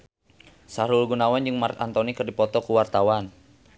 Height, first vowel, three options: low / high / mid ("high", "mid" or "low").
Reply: low